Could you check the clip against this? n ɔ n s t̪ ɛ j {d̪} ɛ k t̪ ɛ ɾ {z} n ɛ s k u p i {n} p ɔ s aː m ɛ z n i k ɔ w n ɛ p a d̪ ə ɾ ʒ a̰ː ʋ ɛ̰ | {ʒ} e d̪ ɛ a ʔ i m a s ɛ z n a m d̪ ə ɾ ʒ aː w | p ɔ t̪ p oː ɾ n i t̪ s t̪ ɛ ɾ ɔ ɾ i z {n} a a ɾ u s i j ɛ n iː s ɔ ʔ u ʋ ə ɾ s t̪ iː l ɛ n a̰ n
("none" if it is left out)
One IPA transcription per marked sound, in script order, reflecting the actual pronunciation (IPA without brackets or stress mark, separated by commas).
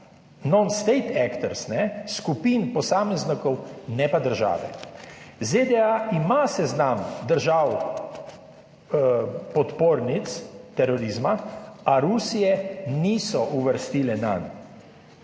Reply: t̪, s, n, z, m